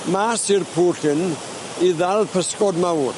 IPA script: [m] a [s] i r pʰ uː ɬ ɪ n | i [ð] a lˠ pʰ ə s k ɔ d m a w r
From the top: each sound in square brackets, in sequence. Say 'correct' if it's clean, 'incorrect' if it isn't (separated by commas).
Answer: correct, correct, correct